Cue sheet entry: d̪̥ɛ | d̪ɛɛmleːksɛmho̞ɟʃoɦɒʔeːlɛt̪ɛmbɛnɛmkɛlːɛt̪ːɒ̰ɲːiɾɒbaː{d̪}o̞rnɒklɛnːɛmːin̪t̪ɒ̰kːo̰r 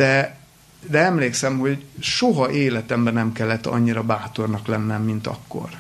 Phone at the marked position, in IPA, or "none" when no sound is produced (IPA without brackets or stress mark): t̪